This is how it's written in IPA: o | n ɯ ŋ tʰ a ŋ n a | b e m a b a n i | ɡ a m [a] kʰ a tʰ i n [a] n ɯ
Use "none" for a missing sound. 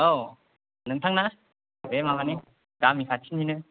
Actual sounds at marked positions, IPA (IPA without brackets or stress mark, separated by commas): i, i